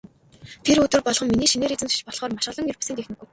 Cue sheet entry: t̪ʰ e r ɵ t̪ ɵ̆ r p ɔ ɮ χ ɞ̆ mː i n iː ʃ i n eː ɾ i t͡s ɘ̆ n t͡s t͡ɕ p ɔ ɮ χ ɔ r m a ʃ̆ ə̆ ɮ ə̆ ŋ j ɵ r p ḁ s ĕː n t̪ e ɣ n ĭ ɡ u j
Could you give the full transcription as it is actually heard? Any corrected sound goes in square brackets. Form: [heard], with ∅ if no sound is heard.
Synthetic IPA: t̪ʰ e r ɵ t̪ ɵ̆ r p ɔ ɮ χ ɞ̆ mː i n iː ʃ i n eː ɾ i t͡s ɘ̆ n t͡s t͡ɕ p ɔ ɮ χ [ɔː] r m a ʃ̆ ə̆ ɮ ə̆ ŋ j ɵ r p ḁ s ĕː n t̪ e [x] n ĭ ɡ u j

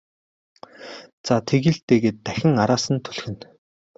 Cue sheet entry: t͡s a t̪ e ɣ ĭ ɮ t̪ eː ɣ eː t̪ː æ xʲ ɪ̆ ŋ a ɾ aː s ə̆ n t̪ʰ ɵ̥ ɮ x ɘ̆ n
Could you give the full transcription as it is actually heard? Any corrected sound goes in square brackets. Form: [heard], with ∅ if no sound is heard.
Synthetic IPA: t͡s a [t̪ʰ] e ɣ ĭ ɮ t̪ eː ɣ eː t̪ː æ xʲ ɪ̆ ŋ a ɾ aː s ə̆ n t̪ʰ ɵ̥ ɮ x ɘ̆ n

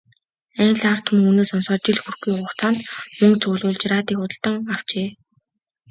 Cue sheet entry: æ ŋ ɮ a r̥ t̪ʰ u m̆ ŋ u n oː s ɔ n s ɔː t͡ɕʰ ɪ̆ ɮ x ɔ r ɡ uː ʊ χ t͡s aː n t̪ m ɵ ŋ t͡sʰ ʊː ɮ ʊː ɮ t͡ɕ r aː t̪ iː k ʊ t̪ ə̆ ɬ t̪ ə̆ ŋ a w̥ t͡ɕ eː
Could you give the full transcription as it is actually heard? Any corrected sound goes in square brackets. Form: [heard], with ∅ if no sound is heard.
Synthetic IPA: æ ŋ ɮ a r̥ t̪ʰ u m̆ ŋ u n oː s ɔ n s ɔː [t͡ɕ] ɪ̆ ɮ x [u] r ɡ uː ʊ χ t͡s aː n t̪ m ɵ ŋ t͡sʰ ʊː ɮ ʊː ɮ t͡ɕ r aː t̪ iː k ʊ t̪ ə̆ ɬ t̪ ə̆ ŋ a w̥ t͡ɕ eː

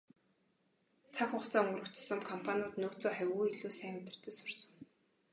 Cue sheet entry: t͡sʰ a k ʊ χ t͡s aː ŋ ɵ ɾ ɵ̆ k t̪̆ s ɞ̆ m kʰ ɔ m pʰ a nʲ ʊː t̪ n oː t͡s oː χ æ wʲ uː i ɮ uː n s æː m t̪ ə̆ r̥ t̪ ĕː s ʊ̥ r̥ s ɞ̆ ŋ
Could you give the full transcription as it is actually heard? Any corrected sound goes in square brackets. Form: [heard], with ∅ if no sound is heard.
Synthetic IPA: t͡sʰ a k ʊ χ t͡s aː ŋ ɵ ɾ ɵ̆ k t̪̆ s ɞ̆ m kʰ ɔ m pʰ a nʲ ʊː t̪ n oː t͡s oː χ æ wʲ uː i ɮ uː [∅] s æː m t̪ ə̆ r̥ t̪ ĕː s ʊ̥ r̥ s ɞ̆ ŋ

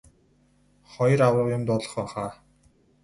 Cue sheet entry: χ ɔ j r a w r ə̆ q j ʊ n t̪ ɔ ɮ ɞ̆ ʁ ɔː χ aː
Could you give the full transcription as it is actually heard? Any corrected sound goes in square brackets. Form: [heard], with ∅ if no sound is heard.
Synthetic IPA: χ ɔ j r a w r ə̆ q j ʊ [m] t̪ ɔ ɮ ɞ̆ [χ] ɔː χ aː

